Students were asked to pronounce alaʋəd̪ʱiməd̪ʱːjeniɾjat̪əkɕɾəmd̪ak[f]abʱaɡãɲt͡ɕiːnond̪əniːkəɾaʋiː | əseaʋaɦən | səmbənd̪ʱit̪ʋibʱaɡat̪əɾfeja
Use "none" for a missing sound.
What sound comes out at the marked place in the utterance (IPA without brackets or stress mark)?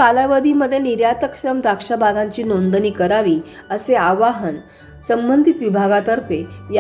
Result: ʂ